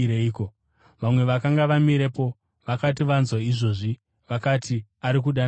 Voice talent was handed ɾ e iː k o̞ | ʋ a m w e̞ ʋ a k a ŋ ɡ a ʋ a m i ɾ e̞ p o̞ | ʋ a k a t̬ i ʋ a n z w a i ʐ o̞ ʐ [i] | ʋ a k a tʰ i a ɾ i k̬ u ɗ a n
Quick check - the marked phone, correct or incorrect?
correct